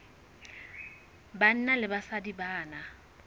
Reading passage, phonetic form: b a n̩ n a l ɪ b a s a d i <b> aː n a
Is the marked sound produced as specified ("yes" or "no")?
yes